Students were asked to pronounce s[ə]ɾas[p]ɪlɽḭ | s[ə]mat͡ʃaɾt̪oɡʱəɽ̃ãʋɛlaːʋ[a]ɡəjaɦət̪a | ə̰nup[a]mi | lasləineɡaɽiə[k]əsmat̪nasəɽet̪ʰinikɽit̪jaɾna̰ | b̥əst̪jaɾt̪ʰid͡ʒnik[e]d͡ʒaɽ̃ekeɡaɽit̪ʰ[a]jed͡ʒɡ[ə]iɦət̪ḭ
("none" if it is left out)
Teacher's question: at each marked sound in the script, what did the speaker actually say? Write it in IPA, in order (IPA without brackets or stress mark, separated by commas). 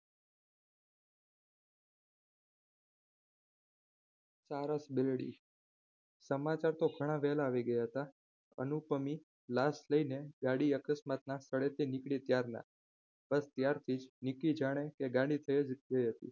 a, b, ə, i, ə, k, i, ə, ə